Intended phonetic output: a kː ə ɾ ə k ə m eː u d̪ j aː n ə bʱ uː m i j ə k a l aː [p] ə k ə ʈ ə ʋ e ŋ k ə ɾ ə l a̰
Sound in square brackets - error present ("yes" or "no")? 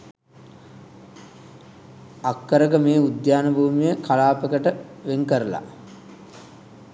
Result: no